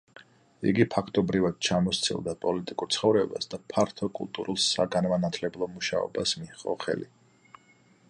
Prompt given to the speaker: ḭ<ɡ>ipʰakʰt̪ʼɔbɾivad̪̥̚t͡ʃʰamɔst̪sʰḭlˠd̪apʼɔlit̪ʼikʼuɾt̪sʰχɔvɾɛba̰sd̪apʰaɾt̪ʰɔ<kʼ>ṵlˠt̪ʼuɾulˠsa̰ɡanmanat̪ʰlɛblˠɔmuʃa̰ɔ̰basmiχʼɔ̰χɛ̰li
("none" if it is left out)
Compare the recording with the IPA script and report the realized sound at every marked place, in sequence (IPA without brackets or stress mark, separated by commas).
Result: ɡ, kʼ